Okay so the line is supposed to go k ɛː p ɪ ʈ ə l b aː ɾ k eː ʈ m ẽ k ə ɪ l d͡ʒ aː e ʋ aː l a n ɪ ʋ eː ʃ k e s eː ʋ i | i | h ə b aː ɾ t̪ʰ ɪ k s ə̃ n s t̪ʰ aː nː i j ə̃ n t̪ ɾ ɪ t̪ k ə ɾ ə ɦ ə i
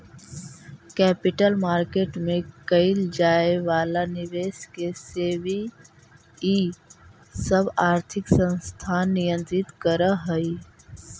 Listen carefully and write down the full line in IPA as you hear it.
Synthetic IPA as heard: k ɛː p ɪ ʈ ə l m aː ɾ k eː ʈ m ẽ k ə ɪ l d͡ʒ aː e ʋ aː l a n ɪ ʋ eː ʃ k e s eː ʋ i | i | s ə b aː ɾ t̪ʰ ɪ k s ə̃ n s t̪ʰ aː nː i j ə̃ n t̪ ɾ ɪ t̪ k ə ɾ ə ɦ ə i